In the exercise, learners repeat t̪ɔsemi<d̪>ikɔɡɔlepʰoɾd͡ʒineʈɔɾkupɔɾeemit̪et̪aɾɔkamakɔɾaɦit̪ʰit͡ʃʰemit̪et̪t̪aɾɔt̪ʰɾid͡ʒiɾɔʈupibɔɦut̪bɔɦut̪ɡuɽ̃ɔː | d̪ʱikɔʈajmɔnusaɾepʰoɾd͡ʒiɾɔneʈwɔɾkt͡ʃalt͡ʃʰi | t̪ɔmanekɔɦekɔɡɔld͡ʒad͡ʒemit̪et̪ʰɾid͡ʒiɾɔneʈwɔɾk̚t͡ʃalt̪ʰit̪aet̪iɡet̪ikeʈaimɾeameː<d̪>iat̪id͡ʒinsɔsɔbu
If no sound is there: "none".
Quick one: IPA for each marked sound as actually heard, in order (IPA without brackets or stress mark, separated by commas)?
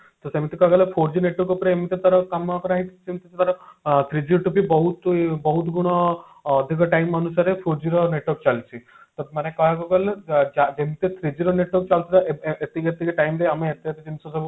t̪, t̪